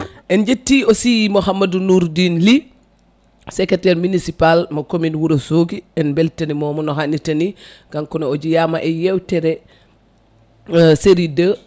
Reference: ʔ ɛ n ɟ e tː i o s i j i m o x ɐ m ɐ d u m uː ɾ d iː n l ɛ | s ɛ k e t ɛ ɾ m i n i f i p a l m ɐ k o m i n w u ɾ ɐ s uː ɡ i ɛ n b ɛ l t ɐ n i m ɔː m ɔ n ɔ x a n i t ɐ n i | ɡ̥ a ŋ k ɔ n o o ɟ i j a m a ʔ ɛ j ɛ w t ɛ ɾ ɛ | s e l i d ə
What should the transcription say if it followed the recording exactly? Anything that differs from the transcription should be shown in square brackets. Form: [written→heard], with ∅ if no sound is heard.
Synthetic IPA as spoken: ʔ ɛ n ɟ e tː i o s i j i m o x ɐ m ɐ d u [m→n] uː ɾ d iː n l [ɛ→i] | s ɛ k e t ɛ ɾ m i n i [f→s] i p a l m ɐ k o m i n w u ɾ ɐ s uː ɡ i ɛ n b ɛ l t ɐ n i m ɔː m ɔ n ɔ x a n i t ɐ n i | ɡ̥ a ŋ k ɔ n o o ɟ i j a m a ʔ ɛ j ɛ w t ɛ ɾ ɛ | s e [l→ɾ] i d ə